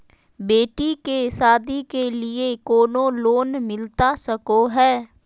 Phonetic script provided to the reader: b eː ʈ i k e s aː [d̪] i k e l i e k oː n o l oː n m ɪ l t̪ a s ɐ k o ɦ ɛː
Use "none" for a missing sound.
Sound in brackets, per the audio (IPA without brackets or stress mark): d̪